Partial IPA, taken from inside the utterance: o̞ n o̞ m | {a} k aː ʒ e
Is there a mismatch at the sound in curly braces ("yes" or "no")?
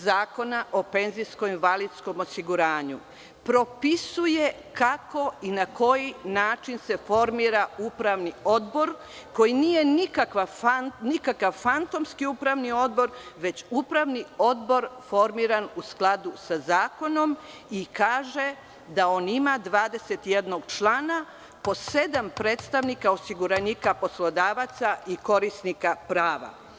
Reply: yes